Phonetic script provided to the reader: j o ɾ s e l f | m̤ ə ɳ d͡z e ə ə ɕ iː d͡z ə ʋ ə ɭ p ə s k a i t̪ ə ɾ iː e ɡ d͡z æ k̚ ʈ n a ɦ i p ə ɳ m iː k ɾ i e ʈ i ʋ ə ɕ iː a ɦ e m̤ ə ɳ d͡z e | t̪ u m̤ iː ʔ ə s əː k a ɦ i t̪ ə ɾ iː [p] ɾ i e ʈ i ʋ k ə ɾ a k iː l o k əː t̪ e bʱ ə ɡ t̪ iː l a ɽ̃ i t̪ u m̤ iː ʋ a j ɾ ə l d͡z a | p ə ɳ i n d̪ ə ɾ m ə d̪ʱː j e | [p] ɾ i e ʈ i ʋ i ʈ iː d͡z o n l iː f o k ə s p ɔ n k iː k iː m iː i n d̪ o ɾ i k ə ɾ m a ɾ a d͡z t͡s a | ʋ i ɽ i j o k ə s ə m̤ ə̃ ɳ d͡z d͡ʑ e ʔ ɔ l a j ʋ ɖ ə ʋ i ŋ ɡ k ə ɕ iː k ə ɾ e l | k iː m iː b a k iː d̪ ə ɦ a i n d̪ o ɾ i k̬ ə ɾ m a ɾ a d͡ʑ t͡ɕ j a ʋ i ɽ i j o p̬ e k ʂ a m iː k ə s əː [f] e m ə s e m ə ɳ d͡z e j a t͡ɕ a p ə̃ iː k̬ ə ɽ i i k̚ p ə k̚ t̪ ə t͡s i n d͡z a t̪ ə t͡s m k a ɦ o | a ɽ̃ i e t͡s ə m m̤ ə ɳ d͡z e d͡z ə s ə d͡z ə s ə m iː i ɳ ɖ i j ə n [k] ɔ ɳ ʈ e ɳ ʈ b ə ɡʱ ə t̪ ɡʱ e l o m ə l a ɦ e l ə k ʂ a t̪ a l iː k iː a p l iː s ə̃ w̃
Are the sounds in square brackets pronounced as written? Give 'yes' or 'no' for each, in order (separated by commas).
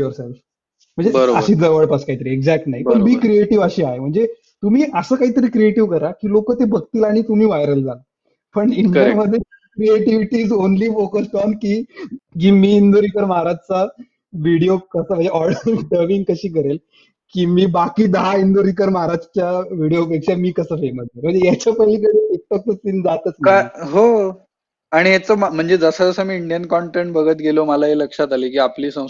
no, no, yes, yes